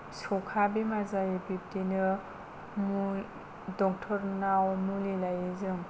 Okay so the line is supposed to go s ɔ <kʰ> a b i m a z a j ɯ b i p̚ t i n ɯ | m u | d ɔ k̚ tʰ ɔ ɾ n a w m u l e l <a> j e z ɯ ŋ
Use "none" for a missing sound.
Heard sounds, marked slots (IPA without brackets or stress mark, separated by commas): kʰ, a